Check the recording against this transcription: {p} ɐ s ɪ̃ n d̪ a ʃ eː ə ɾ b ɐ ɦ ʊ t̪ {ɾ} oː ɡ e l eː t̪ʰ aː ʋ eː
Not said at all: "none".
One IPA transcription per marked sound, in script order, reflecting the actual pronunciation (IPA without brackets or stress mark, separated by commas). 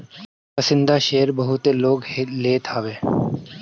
p, l